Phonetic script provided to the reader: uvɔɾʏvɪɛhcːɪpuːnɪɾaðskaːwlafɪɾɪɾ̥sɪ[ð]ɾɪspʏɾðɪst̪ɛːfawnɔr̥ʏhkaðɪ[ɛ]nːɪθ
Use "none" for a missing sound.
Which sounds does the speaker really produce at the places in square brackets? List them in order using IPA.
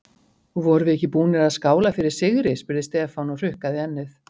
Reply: ɣ, ɛ

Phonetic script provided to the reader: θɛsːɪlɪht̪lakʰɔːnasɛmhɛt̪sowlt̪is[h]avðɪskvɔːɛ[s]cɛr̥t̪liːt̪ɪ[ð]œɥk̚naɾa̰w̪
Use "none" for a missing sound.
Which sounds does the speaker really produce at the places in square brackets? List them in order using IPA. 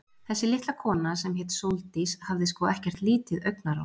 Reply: h, h, ð

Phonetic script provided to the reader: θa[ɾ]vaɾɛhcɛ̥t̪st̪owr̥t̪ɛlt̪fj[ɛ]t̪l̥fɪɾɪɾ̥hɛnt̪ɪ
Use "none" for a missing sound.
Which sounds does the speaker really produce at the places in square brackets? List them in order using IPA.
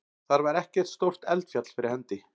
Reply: ɾ, a

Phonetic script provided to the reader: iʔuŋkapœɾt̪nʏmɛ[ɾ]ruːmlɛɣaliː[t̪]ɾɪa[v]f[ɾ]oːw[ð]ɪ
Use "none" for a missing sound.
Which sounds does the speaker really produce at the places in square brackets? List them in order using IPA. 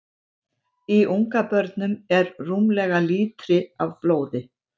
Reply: ɾ, t̪, v, l, ð

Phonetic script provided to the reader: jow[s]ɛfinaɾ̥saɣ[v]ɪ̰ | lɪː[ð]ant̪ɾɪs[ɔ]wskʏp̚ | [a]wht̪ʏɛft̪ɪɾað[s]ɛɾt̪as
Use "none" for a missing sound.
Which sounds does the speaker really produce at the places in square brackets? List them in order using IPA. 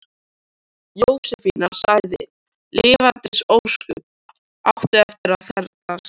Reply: s, ð, v, o, a, θ

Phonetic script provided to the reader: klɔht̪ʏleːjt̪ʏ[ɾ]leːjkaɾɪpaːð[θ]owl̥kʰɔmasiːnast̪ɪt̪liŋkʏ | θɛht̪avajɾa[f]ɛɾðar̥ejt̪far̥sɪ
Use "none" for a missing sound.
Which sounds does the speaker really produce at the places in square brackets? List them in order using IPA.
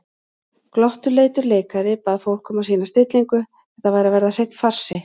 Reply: ɾ, f, v

